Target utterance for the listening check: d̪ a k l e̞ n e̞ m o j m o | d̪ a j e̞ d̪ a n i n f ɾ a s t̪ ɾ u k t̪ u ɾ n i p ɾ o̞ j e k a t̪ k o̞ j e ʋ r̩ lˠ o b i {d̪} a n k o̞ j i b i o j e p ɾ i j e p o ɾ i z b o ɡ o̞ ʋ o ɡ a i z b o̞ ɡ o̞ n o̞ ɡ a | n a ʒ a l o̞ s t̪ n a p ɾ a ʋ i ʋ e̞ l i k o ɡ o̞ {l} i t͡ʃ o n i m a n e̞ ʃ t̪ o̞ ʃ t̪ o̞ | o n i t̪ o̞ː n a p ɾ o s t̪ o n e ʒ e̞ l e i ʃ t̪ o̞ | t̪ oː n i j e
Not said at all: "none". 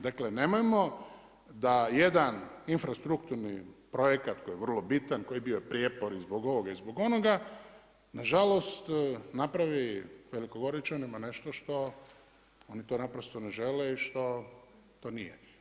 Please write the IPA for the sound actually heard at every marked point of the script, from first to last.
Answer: t̪, ɾ

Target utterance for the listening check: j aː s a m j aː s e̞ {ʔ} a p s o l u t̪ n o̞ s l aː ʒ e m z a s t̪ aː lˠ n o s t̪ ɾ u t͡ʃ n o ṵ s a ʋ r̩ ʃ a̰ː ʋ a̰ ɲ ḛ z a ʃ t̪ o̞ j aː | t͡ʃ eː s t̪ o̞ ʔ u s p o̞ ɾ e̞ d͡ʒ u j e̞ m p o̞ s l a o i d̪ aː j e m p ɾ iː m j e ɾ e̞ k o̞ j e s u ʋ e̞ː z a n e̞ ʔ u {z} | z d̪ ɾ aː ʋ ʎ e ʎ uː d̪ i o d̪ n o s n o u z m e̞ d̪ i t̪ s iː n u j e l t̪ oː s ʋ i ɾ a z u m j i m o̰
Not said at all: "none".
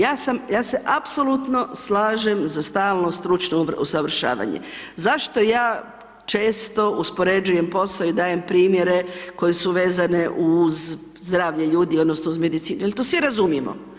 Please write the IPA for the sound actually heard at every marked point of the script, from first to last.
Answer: ʔ, z

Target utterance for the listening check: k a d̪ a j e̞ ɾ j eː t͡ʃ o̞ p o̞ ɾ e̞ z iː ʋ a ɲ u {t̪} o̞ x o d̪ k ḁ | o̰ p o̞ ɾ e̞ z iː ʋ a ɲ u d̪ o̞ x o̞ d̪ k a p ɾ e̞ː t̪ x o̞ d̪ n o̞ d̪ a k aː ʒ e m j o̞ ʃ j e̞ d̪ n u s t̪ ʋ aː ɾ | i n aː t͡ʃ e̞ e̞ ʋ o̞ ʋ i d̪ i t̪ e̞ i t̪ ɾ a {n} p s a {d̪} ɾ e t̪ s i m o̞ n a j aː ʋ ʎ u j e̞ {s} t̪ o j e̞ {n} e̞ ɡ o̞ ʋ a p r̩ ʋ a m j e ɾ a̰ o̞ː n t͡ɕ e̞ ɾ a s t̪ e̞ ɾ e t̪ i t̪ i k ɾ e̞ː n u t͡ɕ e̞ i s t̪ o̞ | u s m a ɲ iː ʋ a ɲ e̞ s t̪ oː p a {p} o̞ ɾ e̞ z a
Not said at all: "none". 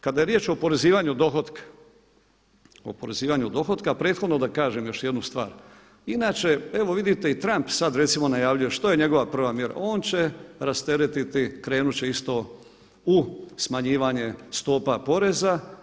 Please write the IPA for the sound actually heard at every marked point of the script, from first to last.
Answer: d̪, m, d̪, ʃ, ɲ, p

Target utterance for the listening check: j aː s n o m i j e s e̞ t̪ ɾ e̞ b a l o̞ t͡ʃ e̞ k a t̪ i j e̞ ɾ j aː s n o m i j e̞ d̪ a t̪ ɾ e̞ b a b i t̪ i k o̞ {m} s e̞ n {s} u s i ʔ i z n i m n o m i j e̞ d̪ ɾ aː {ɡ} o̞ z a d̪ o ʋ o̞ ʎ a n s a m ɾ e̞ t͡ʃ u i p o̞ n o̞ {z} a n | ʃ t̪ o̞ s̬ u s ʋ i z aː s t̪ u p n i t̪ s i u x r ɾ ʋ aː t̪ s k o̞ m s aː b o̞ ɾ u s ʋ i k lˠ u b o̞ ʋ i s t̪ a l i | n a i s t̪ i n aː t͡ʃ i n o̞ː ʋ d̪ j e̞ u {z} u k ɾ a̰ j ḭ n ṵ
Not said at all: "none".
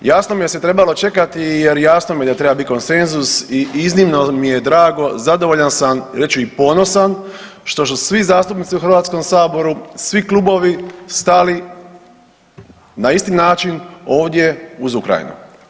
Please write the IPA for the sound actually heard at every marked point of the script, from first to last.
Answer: n, z, ɡ, s, z

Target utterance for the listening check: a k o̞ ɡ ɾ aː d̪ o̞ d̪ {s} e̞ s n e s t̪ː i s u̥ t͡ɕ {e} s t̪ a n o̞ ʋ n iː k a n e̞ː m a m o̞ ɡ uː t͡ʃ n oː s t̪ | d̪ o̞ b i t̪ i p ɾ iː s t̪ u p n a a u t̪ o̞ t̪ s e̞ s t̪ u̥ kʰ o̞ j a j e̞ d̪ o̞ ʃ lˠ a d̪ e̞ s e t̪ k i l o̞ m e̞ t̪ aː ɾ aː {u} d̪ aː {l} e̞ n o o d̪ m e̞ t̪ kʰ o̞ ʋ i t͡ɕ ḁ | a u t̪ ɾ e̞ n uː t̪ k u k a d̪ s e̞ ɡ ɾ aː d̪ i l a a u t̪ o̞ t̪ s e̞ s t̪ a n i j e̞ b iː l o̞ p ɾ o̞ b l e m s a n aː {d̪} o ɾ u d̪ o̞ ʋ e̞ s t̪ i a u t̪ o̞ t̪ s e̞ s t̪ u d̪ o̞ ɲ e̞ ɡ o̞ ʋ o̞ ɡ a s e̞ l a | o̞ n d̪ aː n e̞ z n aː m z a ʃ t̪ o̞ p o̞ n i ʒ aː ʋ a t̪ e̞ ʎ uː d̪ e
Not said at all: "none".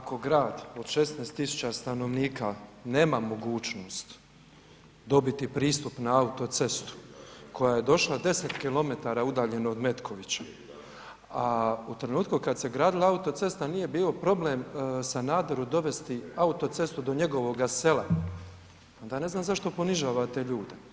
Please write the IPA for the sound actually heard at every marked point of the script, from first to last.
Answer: ʃ, a, u, ʎ, d̪

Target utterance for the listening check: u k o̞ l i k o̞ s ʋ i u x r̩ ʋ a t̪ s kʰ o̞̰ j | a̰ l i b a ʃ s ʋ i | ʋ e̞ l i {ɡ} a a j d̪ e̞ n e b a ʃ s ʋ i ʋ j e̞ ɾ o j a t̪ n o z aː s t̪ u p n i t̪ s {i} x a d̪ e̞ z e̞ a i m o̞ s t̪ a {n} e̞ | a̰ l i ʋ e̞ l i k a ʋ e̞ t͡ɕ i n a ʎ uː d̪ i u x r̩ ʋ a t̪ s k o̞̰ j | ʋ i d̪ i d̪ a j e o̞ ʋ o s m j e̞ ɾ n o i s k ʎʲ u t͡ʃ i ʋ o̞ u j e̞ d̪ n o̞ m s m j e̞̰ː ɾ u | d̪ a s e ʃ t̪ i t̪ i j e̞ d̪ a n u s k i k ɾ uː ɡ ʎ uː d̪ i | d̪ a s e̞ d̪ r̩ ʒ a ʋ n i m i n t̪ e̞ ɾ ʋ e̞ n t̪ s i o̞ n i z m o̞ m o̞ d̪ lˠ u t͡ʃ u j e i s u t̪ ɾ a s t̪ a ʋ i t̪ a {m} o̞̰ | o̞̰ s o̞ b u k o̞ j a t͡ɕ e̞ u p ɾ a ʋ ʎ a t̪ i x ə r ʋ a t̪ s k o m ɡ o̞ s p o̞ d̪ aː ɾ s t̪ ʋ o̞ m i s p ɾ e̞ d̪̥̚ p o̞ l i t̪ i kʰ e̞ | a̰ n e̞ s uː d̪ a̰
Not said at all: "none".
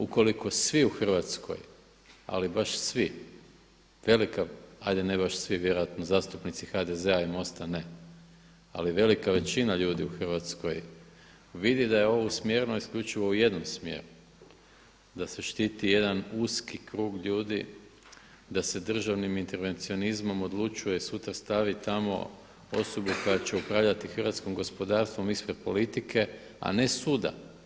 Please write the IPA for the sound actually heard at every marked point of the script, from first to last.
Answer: k, i, n, m

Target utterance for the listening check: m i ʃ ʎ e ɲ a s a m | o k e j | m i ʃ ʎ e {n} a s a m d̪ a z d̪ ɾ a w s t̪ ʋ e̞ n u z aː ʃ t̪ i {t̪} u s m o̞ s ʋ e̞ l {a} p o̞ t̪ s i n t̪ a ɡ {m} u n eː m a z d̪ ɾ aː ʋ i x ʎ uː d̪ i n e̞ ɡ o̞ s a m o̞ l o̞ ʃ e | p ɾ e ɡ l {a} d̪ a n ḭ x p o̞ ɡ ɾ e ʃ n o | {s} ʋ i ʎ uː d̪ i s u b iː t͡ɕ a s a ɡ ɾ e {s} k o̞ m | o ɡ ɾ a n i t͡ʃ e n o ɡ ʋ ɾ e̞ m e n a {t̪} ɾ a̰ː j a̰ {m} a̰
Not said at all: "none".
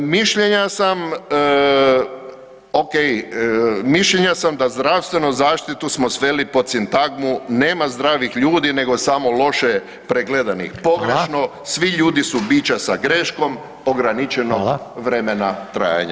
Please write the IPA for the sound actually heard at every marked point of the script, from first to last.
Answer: ɲ, t̪, i, m, e, s, ʃ, t̪, ɲ

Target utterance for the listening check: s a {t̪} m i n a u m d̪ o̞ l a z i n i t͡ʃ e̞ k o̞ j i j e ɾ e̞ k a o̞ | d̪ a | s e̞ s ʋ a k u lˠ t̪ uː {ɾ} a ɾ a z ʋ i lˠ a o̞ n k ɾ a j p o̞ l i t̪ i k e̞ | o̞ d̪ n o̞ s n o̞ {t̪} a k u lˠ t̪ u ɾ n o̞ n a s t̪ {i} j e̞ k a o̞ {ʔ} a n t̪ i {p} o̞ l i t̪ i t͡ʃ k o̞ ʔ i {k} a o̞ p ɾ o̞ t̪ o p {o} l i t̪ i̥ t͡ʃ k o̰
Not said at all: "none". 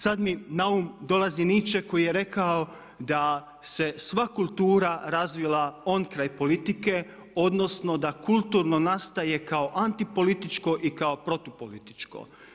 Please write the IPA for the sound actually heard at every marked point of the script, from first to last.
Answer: d̪, ɾ, d̪, a, ʔ, p, k, o

